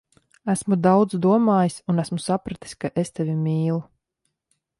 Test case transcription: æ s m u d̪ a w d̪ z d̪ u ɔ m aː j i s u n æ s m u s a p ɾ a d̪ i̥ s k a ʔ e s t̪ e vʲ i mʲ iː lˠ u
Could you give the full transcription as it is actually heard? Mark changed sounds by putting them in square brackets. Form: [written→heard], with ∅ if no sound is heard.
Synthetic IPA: æ s m u d̪ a w d̪ z d̪ u ɔ m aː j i s u n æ s m u s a p ɾ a [d̪→t̪] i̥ s k a ʔ e s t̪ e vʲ i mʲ iː lˠ u

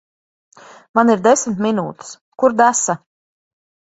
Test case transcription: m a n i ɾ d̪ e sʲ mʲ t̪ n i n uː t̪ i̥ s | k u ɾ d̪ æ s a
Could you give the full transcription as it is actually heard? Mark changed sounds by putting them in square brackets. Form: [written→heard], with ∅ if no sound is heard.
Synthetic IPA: m a n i ɾ d̪ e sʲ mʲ t̪ [n→m] i n uː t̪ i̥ s | k u ɾ d̪ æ s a

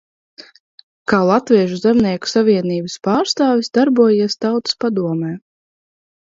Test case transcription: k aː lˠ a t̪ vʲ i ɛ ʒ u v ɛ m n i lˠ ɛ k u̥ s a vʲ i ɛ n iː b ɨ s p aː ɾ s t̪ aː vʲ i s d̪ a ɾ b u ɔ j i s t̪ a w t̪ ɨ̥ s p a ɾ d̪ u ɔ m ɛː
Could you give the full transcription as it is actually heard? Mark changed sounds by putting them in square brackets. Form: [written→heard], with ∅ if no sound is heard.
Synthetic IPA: k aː lˠ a t̪ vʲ i ɛ ʒ u [v→z] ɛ m n i [lˠ→∅] ɛ k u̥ s a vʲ i ɛ n iː b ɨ s p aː ɾ s t̪ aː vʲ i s d̪ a ɾ b u ɔ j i s t̪ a w t̪ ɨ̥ s p a [ɾ→∅] d̪ u ɔ m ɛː

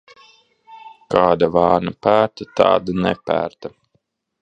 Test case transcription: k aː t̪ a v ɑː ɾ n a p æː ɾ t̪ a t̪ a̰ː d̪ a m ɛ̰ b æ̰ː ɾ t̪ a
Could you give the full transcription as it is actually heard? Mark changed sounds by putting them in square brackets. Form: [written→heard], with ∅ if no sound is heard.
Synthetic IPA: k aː [t̪→d̪] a v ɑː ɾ n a p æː ɾ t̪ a t̪ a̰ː d̪ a [m→n] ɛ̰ [b→p] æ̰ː ɾ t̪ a

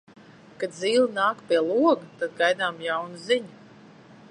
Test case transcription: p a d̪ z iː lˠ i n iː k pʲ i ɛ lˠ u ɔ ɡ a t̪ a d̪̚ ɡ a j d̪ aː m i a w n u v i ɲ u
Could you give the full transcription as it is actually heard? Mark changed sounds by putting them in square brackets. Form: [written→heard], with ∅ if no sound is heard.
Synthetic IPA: [p→k] a d̪ z iː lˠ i n [iː→aː] k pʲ i ɛ lˠ u ɔ ɡ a t̪ a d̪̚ ɡ a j d̪ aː m [i→j] a w n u [v→z] i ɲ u

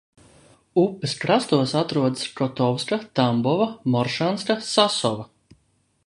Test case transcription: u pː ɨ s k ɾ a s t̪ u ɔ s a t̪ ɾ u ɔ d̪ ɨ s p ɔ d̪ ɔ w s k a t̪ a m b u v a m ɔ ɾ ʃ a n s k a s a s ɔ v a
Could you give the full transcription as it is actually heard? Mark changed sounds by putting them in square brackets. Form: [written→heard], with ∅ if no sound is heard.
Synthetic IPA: u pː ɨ s k ɾ a s t̪ u ɔ s a t̪ ɾ u ɔ d̪ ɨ s [p→k] ɔ [d̪→t̪] ɔ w s k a t̪ a m b [u→ɔ] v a m ɔ ɾ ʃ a n s k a s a s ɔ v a

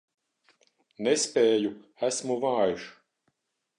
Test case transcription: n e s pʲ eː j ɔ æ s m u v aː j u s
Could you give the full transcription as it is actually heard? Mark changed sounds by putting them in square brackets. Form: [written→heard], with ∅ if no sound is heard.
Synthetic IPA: n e s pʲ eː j [ɔ→u] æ s m u v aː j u [s→ʃ]

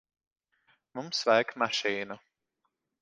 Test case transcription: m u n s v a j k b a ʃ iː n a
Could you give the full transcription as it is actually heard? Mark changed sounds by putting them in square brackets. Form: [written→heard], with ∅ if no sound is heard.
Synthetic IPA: m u [n→m] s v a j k [b→m] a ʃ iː n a

